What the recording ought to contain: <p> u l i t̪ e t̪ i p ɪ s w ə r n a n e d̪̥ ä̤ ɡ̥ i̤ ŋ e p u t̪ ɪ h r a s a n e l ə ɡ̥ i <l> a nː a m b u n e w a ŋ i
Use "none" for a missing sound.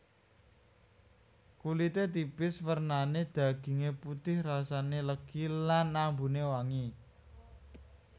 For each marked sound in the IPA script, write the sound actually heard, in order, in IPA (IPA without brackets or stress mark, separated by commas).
k, l